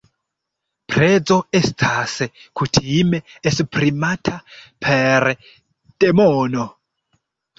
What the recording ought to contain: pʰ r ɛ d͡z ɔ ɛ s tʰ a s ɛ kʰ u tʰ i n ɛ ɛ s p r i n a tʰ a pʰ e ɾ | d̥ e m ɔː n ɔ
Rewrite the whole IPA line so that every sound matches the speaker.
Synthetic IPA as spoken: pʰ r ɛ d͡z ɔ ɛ s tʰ a s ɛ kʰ u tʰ i m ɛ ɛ s p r i m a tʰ a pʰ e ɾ | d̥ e m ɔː n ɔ